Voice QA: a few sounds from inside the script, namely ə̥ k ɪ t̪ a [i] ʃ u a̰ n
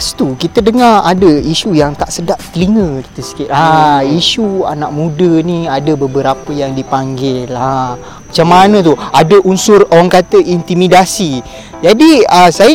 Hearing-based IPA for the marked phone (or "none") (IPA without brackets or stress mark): i